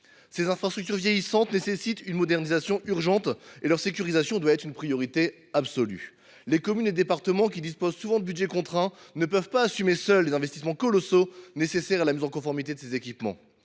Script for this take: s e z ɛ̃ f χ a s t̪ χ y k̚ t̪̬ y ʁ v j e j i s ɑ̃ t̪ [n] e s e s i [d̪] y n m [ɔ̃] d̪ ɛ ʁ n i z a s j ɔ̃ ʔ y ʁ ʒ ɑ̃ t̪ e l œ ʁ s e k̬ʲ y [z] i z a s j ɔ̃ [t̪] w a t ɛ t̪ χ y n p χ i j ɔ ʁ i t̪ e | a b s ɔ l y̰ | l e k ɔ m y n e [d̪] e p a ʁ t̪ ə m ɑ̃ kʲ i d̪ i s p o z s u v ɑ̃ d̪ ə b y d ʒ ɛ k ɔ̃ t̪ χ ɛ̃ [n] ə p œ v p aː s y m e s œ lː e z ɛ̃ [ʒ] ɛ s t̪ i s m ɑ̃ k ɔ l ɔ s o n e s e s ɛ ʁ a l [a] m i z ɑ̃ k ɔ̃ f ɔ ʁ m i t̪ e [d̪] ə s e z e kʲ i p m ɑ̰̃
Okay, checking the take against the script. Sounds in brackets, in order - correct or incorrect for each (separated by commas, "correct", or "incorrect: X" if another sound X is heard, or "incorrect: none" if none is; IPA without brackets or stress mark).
correct, incorrect: t̪, incorrect: ɔ, incorrect: ʁ, incorrect: d̪, correct, correct, incorrect: v, correct, correct